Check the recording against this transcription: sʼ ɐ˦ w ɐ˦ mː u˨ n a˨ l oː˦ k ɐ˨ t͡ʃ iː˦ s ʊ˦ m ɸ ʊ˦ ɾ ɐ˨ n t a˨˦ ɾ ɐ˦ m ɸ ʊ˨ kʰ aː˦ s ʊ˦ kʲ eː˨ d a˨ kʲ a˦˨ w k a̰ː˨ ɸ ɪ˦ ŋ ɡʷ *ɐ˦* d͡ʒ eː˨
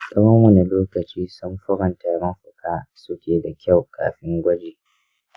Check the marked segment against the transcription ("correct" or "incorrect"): correct